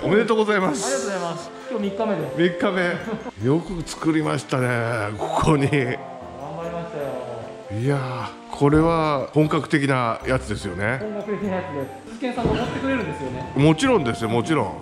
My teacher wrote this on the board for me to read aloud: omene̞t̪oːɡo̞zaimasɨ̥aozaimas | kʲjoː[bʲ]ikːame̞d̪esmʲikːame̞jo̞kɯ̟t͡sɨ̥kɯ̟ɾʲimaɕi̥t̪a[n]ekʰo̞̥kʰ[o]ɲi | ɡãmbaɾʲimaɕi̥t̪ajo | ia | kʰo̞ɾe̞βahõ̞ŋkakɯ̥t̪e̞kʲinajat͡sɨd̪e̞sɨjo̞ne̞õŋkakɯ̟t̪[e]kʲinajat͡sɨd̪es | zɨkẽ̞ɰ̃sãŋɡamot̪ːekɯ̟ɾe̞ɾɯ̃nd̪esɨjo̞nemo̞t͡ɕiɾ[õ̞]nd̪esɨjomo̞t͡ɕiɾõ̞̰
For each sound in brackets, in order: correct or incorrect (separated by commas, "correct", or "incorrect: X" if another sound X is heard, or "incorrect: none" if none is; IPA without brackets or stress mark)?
incorrect: mʲ, correct, correct, correct, correct